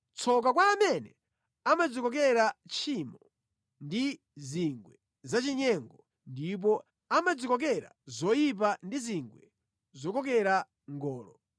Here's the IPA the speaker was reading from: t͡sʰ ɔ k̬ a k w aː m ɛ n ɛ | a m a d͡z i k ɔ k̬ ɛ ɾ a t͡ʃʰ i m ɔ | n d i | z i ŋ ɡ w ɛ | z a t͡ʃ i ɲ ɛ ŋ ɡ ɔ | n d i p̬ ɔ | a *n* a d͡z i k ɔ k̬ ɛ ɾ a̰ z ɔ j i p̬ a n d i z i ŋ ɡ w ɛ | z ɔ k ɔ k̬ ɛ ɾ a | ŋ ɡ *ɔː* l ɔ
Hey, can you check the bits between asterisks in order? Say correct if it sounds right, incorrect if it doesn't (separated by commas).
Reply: incorrect, correct